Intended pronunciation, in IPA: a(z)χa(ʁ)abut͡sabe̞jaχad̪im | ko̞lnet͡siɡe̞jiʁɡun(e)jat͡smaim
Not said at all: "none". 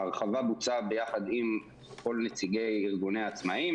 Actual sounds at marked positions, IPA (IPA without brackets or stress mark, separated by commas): ʁ, v, e